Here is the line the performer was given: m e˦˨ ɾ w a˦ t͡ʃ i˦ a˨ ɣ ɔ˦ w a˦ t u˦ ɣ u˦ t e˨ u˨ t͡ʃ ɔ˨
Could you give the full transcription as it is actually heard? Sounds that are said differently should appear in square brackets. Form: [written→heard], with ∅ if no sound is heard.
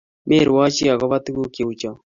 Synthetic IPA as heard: m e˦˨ ɾ w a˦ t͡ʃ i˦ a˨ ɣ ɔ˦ [w→β] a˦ t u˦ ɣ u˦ [t→k] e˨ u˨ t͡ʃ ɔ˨